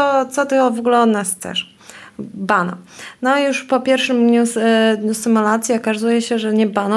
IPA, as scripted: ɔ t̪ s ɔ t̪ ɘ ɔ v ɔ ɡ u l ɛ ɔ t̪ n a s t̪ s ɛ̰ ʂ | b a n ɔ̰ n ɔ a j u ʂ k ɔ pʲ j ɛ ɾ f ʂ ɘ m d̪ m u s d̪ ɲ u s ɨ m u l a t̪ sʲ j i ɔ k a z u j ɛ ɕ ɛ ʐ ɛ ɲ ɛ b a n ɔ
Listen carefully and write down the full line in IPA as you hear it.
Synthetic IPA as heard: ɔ t̪ s ɔ t̪ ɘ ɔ v ɔ ɡ u l ɛ ɔ d̪ n a s t̪ s ɛ̰ ʂ | b a n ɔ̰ n ɔ a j u ʂ p ɔ pʲ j ɛ ɾ f ʂ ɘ m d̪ ɲ u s d̪ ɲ u s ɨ m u l a t̪ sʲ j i ɔ k a z u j ɛ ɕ ɛ ʐ ɛ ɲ ɛ b a n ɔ